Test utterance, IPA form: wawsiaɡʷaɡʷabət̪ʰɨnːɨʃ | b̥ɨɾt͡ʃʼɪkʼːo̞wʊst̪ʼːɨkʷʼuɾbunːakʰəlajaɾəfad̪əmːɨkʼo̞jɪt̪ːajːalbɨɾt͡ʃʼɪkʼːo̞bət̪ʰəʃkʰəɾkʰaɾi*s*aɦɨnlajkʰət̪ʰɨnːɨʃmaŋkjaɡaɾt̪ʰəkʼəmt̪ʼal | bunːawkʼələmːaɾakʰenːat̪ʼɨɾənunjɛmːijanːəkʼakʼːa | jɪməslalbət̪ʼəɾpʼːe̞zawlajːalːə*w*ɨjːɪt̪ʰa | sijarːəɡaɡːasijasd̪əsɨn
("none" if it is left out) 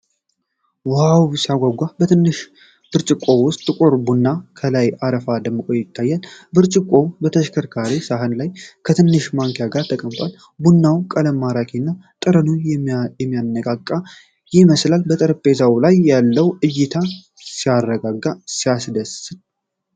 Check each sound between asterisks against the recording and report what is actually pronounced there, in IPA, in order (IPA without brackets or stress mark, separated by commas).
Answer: s, w